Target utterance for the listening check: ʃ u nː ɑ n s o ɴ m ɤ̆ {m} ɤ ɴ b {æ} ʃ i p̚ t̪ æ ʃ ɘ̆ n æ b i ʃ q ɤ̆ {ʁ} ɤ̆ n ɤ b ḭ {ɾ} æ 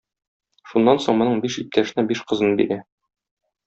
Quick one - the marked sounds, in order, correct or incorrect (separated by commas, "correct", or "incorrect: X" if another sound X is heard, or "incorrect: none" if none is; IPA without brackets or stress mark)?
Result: incorrect: n, incorrect: i, incorrect: z, correct